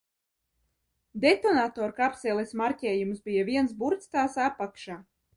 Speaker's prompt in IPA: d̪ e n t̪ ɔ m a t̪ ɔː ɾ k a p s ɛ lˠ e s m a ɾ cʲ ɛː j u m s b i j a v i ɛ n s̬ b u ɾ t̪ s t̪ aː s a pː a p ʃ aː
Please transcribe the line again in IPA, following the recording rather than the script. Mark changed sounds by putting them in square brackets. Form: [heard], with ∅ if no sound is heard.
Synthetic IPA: d̪ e [∅] t̪ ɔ [n] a t̪ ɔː ɾ k a p s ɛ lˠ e s m a ɾ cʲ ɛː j u m s b i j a v i ɛ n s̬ b u ɾ t̪ s t̪ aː s a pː a [k] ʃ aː